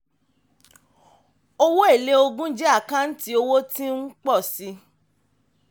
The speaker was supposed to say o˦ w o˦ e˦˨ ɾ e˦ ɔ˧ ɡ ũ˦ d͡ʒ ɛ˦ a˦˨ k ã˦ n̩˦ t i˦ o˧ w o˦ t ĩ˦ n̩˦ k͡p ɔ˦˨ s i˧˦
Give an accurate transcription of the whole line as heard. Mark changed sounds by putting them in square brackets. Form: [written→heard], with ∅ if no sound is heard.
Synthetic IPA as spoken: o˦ w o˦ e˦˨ [ɾ→l] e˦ [ɔ˧→o˧] ɡ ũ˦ d͡ʒ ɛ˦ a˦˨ k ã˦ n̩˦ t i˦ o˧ w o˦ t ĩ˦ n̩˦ k͡p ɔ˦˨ s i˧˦